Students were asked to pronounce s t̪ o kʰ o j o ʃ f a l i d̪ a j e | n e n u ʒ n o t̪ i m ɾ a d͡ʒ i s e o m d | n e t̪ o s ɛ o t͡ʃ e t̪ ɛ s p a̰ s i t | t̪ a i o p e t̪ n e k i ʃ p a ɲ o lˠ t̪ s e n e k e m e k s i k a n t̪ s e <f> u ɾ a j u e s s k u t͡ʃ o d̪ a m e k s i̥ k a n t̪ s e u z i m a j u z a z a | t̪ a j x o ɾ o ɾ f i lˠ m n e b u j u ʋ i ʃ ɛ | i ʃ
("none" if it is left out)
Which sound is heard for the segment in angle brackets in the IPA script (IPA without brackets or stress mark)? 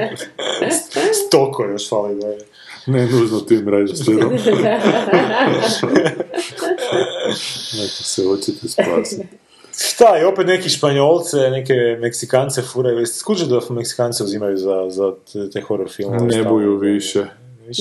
f